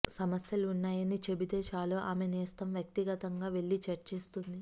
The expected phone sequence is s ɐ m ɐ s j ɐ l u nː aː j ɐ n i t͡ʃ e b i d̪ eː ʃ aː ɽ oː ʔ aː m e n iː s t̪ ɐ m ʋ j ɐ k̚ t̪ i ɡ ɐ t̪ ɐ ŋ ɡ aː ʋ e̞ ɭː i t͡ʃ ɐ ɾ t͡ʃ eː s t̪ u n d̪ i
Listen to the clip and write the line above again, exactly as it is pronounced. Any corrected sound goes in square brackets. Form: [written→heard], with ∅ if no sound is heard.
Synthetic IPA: s ɐ m ɐ s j ɐ l u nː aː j ɐ n i t͡ʃ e b i d̪ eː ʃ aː [ɽ→l] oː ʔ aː m e n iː s t̪ ɐ m ʋ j ɐ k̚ t̪ i ɡ ɐ t̪ ɐ ŋ ɡ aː ʋ e̞ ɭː i t͡ʃ ɐ ɾ t͡ʃ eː s t̪ u n d̪ i